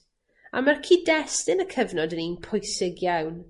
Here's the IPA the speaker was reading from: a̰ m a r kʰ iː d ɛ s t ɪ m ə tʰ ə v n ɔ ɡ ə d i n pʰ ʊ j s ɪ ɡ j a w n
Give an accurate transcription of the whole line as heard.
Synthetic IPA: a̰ m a r kʰ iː d ɛ s t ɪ n ə kʰ ə v n ɔ d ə n i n pʰ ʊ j s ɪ ɡ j a w n